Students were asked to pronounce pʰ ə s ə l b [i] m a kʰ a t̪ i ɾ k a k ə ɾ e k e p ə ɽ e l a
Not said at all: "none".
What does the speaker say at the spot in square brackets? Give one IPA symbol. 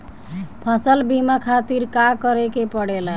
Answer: i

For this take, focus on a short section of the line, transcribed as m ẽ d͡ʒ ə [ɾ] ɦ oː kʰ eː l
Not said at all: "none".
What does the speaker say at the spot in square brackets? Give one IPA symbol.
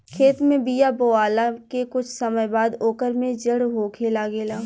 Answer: ɽ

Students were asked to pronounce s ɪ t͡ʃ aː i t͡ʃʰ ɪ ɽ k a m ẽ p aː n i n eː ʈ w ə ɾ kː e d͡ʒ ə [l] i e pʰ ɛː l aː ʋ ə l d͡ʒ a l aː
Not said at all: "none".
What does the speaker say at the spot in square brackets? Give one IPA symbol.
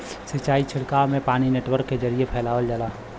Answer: ɾ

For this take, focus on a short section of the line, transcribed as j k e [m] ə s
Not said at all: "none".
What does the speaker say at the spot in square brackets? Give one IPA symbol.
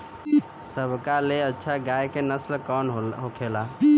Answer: n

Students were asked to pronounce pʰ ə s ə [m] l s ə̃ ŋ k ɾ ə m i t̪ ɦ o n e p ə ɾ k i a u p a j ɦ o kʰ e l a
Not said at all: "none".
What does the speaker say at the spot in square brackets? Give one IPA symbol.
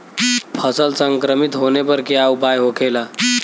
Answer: none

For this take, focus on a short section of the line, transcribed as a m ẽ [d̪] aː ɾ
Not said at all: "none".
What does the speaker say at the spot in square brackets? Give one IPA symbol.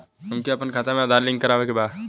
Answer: d̪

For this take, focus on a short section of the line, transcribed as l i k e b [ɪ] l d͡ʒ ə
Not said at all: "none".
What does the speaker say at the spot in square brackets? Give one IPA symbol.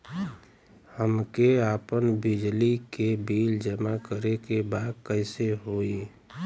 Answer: i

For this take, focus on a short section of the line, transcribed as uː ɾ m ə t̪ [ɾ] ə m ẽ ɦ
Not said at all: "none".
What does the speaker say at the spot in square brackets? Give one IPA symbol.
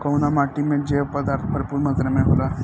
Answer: ɾ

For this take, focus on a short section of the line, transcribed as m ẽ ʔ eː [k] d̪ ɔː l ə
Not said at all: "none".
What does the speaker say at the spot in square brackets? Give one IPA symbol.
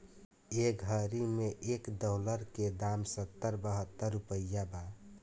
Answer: k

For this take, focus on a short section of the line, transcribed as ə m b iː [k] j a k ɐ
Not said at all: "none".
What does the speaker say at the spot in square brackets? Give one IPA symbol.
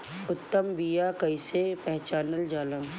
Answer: none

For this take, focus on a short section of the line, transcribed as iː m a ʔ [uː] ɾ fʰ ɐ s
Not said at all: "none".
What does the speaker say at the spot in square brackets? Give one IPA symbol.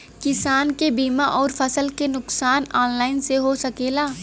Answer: ɔː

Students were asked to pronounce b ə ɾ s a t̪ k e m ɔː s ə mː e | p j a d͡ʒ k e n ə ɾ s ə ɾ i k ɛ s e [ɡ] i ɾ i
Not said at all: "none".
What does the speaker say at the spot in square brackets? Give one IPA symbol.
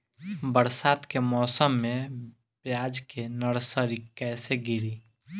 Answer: ɡ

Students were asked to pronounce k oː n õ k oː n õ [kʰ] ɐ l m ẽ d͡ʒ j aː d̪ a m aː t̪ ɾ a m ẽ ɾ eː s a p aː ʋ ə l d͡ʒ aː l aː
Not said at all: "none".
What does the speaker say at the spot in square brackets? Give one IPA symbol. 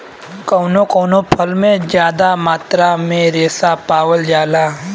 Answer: pʰ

